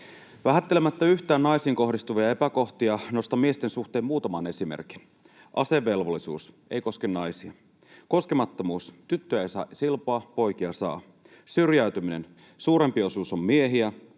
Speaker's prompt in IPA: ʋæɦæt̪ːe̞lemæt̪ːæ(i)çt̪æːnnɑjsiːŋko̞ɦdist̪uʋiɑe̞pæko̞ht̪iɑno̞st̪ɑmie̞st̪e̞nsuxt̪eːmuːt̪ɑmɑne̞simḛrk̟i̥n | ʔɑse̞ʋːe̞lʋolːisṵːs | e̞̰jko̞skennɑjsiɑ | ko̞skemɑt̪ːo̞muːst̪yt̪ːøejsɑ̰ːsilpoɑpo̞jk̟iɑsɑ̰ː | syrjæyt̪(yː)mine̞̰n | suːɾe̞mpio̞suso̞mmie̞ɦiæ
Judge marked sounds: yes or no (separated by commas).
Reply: no, no